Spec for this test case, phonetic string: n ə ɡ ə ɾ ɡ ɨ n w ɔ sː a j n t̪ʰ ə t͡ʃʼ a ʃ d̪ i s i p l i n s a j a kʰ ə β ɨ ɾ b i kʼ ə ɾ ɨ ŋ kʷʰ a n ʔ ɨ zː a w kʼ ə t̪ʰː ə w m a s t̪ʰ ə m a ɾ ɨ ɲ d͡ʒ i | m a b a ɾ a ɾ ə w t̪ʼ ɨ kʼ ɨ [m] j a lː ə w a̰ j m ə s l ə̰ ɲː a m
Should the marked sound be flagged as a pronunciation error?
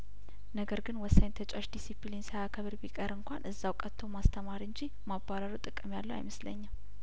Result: no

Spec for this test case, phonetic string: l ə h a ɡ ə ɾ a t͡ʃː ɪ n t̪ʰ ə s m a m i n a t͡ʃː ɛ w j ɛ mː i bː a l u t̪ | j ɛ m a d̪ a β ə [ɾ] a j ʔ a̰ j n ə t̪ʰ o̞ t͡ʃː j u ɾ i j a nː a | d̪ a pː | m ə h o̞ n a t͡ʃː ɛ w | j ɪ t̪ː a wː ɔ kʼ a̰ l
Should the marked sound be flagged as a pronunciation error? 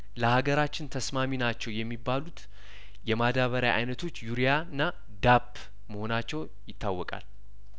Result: no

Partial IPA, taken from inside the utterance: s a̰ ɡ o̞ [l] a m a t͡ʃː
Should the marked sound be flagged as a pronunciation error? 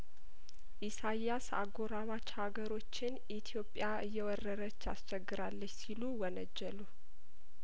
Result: yes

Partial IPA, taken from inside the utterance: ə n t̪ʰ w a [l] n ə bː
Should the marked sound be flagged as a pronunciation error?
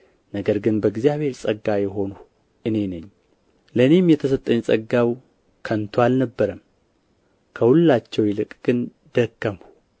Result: no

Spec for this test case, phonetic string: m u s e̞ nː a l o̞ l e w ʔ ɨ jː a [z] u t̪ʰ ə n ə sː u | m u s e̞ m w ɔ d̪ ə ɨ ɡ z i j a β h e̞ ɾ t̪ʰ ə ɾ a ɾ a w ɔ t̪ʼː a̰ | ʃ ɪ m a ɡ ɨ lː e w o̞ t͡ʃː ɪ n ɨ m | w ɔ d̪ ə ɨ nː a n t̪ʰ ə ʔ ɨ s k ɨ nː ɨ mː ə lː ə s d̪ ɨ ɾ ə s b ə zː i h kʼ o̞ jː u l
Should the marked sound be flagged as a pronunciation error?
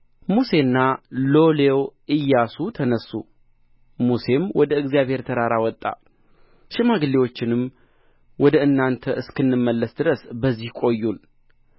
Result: yes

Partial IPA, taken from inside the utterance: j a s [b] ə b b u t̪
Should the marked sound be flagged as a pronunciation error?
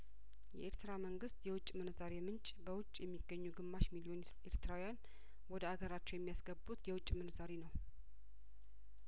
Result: yes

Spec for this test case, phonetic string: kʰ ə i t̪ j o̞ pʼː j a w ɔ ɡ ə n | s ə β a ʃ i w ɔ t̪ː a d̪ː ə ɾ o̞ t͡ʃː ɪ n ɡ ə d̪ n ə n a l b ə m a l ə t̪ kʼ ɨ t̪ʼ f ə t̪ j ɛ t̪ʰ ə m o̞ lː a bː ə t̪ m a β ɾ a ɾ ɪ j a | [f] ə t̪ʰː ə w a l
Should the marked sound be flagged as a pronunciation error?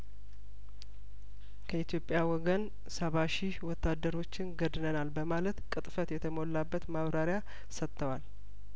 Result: yes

